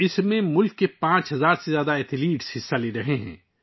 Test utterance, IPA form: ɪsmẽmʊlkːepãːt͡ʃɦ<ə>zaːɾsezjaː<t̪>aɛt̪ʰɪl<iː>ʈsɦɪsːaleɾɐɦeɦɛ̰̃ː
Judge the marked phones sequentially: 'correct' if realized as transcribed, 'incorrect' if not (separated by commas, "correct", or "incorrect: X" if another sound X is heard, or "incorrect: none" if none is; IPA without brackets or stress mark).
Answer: incorrect: ɐ, incorrect: d̪, correct